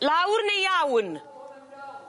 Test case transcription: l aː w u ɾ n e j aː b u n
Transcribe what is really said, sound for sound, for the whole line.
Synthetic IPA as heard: l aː w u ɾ n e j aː w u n